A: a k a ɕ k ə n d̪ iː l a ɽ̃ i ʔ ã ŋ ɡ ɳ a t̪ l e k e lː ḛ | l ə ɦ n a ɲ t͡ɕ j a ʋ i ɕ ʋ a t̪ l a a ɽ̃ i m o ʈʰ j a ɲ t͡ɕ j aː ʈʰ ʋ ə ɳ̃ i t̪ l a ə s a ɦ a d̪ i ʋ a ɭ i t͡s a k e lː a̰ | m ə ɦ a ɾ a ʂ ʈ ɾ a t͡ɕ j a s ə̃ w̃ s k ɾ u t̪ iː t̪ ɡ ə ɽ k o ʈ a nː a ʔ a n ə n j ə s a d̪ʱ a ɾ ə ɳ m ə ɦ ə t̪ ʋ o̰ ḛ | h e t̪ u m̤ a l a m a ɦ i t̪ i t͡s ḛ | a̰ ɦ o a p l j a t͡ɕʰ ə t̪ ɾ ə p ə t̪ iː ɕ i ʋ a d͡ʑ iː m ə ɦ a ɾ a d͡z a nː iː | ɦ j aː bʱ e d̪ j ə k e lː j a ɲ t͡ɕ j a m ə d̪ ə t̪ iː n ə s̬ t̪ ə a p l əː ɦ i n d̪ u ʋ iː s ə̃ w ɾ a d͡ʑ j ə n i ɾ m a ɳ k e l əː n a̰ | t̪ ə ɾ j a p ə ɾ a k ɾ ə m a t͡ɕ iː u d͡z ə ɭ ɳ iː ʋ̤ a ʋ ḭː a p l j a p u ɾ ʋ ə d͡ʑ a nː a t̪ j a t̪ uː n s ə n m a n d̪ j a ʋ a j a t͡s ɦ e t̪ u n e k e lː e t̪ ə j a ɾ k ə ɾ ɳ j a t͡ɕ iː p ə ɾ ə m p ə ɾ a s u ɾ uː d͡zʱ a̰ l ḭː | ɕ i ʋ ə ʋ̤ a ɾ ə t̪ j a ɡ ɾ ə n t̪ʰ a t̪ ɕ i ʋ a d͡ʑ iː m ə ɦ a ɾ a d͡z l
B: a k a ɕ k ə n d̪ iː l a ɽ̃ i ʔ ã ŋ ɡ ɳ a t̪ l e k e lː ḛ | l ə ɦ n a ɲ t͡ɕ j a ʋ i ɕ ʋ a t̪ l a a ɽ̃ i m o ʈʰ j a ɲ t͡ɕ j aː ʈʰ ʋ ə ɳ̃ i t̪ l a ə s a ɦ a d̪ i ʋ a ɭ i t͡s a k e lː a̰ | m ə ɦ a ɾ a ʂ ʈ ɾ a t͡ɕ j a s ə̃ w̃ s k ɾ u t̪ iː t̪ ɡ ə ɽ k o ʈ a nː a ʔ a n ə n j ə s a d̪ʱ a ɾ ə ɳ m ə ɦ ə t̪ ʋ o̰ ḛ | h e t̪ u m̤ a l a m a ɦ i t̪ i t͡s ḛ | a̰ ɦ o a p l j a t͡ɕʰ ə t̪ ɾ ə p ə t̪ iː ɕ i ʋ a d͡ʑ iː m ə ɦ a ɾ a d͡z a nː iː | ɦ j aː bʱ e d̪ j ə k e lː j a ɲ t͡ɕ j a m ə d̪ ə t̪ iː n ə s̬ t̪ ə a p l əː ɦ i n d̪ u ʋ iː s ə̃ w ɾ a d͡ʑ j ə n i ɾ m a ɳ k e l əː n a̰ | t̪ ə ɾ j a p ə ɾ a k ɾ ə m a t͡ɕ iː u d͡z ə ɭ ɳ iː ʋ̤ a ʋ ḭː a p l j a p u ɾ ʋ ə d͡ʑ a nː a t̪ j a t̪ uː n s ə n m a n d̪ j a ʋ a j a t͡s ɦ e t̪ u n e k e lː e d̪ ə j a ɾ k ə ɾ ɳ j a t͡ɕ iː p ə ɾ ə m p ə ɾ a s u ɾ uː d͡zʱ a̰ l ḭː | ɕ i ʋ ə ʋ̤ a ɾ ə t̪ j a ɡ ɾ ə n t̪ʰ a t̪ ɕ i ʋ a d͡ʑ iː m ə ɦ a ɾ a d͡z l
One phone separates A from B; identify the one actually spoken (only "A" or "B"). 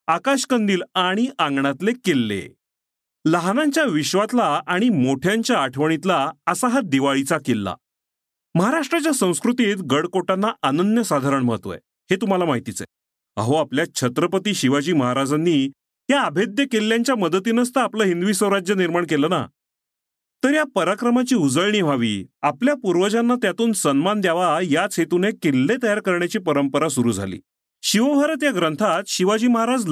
A